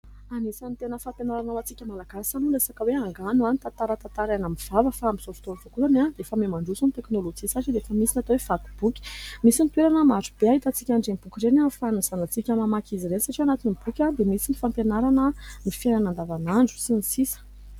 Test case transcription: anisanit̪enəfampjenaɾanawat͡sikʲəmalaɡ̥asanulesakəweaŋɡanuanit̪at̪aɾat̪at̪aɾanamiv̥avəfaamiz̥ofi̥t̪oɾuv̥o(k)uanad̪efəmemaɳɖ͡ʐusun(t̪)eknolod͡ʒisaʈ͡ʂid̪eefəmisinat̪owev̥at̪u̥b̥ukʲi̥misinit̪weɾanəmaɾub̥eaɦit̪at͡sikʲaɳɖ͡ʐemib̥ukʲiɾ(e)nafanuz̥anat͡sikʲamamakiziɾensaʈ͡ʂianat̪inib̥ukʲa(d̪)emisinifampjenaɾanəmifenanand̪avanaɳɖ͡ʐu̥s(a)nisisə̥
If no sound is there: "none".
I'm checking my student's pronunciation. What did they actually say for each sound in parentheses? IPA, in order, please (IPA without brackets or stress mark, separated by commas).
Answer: k, t̪, e, d̪, i